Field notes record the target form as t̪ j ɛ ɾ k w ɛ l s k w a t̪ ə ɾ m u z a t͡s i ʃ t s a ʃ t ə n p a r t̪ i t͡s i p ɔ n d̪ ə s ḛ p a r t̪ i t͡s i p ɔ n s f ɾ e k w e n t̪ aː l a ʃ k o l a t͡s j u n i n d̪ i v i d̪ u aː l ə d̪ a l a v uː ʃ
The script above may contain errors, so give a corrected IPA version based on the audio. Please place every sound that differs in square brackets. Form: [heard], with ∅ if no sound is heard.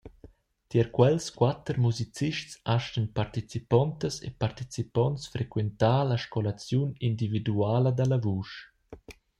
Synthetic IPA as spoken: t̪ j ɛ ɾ k w ɛ l s k w a t̪ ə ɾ m u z [i] t͡s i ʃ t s a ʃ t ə n p a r t̪ i t͡s i p ɔ n [t̪] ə s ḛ p a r t̪ i t͡s i p ɔ n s f ɾ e k w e n t̪ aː l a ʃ k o l a t͡s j u n i n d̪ i v i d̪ u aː l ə d̪ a l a v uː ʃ